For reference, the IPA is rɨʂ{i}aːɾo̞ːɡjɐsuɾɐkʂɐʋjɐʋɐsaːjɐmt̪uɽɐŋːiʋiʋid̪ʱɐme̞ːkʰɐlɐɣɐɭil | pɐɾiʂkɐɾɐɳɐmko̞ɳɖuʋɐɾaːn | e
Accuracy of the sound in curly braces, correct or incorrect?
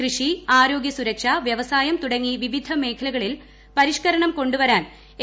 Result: correct